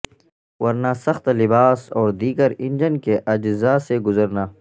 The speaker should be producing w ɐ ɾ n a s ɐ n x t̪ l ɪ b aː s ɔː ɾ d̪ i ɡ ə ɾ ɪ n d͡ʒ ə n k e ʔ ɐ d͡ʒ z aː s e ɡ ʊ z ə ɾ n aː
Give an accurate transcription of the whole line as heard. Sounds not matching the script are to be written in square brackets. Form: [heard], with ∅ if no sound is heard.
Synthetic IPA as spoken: w ɐ ɾ n a s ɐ [∅] x t̪ l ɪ b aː s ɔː ɾ d̪ [iː] ɡ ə ɾ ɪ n d͡ʒ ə n k e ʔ ɐ d͡ʒ z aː s e ɡ ʊ z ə ɾ n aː